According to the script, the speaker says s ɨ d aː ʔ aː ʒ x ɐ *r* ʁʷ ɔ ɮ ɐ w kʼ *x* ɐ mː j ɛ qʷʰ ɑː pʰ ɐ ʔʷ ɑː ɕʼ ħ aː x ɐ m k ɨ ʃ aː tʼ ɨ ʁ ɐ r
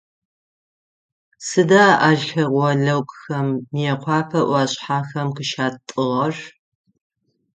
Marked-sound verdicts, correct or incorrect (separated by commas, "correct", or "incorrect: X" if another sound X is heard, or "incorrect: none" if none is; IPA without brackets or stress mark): incorrect: none, correct